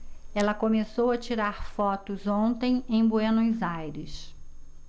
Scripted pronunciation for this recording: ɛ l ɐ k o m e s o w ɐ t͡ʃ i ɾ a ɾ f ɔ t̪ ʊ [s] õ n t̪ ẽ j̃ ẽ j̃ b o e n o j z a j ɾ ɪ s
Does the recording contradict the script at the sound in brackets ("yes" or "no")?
yes